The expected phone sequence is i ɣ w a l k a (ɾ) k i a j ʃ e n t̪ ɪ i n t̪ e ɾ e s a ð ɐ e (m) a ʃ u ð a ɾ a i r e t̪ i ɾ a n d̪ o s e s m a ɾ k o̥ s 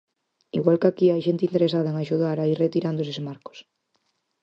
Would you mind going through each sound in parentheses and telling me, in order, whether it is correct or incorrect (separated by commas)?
incorrect, incorrect